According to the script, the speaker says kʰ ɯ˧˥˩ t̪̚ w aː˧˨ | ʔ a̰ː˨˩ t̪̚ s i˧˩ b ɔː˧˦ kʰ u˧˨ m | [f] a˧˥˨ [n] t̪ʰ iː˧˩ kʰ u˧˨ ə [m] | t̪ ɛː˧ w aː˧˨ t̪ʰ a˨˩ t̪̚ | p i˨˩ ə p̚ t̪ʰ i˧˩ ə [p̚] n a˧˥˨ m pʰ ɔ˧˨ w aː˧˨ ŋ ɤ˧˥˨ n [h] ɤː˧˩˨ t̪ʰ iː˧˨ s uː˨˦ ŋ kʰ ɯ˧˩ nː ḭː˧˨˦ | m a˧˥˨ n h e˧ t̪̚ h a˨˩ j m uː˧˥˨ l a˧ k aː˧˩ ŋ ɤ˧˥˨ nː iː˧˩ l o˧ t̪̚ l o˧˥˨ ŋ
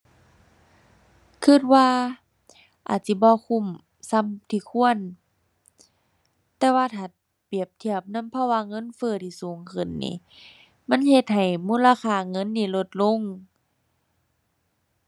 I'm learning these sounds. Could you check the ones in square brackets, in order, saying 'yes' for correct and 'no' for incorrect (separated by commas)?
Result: no, no, no, yes, no